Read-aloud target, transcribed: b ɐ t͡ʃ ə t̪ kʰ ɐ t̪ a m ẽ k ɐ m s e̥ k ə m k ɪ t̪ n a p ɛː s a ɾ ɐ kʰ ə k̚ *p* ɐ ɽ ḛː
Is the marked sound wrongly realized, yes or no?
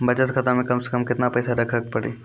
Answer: no